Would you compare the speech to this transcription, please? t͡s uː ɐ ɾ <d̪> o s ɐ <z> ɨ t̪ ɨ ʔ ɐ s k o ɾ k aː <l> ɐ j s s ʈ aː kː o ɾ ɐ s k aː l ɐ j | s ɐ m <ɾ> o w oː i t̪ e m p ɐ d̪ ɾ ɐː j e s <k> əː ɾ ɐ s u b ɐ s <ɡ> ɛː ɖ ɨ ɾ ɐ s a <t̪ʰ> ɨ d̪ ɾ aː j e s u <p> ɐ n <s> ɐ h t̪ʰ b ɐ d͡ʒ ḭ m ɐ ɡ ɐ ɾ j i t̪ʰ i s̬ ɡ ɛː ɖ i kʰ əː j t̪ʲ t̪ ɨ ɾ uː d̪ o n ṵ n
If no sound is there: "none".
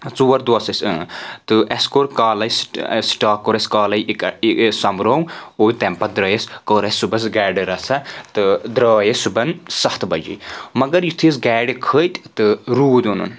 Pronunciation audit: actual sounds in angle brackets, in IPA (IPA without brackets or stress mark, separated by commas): d̪, s, l, ɾ, k, ɡ, t̪, b, s